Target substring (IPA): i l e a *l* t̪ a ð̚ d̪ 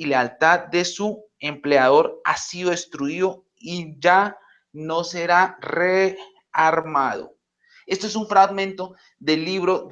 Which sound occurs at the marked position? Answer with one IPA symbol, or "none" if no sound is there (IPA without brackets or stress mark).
l